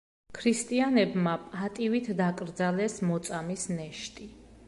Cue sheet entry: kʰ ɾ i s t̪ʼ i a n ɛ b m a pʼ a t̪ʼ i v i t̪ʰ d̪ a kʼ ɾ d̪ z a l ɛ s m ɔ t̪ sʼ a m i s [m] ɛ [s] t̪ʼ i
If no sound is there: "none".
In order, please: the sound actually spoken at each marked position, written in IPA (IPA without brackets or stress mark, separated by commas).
n, ʃ